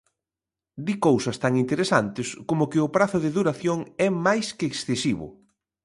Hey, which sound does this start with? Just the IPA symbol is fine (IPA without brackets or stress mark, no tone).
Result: d̪